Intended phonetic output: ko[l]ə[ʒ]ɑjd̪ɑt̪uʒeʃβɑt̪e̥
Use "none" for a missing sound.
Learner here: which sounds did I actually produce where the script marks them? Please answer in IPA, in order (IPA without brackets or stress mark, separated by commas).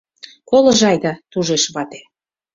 l, ʒ